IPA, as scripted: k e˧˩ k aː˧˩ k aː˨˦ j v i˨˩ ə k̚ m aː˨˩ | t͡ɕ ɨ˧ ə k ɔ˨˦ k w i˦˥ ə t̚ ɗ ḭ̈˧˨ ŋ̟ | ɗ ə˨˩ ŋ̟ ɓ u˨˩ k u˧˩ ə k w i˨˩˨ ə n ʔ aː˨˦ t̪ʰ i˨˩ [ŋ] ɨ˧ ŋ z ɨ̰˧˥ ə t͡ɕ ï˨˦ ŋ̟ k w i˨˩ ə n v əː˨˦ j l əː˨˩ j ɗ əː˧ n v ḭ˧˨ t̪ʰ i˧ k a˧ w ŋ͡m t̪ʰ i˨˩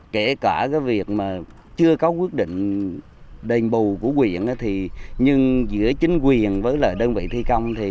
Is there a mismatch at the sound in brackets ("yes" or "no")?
yes